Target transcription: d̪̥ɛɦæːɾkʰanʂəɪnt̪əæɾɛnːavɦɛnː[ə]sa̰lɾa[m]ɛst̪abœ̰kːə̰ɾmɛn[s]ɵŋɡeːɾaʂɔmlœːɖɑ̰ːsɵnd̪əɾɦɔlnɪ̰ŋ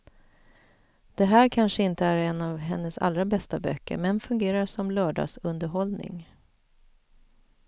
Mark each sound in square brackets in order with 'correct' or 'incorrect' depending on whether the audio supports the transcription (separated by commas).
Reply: correct, incorrect, incorrect